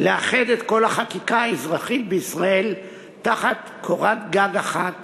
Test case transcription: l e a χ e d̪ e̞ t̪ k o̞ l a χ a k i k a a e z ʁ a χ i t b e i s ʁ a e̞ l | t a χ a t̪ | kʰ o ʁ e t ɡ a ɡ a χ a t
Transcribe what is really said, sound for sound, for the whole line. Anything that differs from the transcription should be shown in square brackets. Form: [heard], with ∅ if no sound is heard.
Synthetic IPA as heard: l e a χ e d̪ e̞ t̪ k o̞ l a χ a k i k a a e z ʁ a χ i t b e i s ʁ a e̞ l | t a χ a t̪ | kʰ o ʁ [a] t ɡ a ɡ a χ a t